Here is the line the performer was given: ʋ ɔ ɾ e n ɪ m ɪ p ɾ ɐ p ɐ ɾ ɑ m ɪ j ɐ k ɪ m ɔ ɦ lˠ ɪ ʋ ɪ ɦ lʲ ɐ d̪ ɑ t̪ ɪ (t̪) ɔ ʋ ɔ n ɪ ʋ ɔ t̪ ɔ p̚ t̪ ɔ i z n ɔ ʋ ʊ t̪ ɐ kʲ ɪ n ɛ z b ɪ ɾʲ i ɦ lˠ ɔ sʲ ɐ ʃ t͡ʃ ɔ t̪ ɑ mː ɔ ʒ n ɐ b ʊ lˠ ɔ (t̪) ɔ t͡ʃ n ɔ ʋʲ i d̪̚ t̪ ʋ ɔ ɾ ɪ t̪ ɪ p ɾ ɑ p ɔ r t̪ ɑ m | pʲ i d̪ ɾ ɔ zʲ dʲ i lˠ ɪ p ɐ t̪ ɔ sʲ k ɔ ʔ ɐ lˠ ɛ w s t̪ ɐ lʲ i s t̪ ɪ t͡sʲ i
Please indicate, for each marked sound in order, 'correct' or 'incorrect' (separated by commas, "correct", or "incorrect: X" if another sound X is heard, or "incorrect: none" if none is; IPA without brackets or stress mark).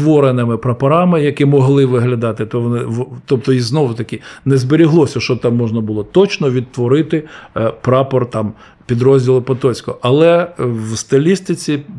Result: correct, correct